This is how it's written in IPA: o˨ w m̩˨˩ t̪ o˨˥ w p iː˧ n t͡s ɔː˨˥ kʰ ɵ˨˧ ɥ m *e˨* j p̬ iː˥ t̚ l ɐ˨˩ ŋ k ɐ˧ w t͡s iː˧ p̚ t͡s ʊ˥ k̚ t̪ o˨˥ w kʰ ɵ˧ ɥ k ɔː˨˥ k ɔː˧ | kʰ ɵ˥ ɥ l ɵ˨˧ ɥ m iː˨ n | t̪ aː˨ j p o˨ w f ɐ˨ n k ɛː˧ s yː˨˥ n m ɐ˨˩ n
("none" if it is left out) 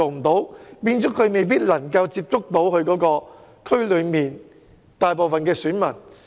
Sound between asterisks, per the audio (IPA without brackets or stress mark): e˨